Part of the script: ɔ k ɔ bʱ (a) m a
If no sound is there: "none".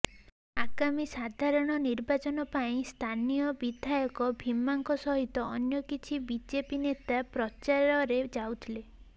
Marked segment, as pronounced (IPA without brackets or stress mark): i